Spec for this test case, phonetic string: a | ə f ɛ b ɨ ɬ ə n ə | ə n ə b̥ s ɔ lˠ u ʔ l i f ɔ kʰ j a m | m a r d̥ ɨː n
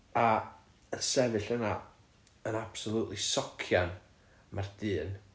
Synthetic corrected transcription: a | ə s ɛ v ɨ ɬ ə n a | ə n a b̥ s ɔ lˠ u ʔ l i s ɔ kʰ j a n | m a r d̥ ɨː n